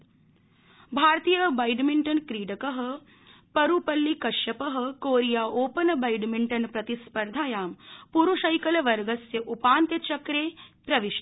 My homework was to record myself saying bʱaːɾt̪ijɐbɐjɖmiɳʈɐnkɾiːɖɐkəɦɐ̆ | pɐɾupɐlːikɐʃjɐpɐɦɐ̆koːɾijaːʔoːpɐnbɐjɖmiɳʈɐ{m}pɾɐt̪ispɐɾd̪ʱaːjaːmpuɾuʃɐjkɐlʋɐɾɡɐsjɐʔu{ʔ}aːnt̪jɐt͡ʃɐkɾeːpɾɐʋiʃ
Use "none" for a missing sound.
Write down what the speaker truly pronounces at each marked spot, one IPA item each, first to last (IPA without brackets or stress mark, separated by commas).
n, p